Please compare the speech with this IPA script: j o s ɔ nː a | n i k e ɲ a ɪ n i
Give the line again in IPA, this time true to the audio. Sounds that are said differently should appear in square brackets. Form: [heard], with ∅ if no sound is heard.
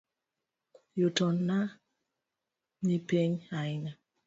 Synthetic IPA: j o [t] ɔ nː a | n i [p] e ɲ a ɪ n [a]